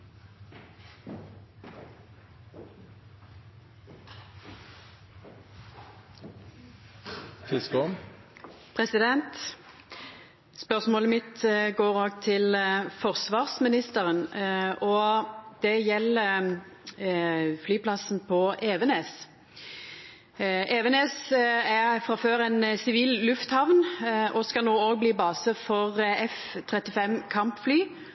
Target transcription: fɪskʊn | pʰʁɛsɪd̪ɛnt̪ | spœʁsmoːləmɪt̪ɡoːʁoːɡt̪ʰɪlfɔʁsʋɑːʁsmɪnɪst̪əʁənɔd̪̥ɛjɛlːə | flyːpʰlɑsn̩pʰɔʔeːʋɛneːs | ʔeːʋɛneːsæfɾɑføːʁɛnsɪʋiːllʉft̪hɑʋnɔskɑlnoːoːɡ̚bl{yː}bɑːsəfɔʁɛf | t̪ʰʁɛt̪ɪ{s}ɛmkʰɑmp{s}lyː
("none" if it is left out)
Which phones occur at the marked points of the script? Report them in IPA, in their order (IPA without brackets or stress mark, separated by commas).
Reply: iː, f, f